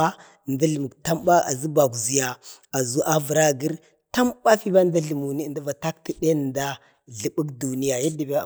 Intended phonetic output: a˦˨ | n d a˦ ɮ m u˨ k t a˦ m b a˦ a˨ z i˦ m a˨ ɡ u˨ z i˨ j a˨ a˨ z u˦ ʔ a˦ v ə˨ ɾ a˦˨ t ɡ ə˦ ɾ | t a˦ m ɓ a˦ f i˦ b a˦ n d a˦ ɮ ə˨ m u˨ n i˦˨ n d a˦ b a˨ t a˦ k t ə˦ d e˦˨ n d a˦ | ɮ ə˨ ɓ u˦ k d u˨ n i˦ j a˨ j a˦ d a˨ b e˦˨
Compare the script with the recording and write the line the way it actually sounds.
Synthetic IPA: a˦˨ | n d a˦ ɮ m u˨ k t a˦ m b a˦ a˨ z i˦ b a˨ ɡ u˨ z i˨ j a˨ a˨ z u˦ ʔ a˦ v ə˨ ɾ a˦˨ ɡ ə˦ ɾ | t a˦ m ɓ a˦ f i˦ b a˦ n d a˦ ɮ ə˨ m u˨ n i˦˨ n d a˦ v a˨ t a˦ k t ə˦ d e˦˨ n d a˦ | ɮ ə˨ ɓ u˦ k d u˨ n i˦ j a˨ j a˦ d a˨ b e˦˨